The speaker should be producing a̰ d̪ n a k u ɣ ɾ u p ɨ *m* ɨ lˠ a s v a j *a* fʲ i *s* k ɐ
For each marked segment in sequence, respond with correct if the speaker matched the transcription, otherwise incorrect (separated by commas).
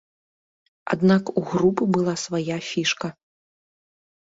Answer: incorrect, correct, incorrect